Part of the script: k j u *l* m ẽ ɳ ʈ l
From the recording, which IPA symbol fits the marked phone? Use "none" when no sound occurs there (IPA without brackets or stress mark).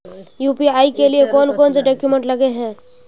none